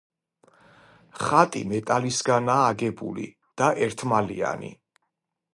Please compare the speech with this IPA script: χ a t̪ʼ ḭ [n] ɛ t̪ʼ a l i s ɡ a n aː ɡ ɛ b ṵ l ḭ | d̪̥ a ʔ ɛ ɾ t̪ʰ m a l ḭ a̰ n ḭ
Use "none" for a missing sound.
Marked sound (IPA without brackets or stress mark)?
m